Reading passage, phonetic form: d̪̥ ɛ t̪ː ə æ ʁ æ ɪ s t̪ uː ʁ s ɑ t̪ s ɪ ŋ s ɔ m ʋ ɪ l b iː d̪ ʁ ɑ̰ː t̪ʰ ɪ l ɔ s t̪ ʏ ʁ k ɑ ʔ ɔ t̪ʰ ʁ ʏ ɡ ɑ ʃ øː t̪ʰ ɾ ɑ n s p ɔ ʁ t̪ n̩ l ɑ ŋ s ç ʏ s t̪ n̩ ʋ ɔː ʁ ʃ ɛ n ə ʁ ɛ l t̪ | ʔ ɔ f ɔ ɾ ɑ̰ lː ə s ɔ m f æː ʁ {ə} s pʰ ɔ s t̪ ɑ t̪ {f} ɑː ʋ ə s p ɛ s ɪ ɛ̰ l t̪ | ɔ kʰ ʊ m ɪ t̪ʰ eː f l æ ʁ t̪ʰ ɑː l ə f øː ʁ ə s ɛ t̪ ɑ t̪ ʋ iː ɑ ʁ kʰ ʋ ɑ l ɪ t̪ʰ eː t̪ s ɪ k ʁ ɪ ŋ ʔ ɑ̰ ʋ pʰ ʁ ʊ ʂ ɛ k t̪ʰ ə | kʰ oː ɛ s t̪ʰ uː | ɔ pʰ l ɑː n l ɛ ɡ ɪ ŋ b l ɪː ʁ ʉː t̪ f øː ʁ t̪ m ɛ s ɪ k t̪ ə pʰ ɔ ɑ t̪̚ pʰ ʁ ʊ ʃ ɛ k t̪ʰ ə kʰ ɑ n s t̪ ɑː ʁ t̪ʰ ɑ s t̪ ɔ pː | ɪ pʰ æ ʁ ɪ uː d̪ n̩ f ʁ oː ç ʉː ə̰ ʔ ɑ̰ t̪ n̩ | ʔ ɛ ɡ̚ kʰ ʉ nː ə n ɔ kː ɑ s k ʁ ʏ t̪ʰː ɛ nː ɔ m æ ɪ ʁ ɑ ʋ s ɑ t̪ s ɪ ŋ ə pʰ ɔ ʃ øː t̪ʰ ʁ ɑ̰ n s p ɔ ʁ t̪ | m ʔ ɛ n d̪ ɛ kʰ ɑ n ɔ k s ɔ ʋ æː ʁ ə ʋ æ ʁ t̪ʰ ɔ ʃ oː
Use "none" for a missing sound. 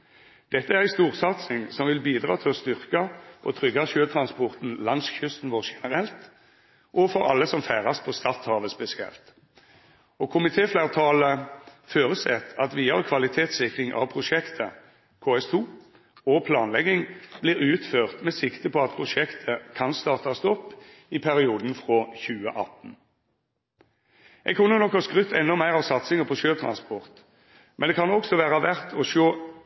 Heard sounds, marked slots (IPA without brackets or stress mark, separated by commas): ɑ, h